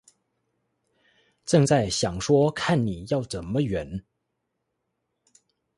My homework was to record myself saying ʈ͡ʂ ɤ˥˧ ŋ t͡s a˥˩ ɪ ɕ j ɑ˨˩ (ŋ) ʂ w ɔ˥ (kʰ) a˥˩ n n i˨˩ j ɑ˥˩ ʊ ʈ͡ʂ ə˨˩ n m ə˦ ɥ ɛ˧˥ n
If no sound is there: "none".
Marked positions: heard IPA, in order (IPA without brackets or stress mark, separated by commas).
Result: ŋ, kʰ